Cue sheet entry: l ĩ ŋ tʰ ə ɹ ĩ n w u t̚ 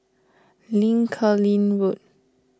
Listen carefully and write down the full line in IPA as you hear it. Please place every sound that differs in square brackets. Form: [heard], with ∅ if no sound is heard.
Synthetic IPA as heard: l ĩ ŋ [kʰ] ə [l] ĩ n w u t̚